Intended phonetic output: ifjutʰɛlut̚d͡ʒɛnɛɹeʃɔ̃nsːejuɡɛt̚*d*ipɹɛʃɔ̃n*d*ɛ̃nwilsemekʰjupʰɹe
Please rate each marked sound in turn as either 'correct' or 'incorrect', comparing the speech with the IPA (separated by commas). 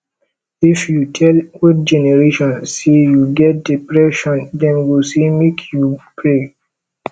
correct, correct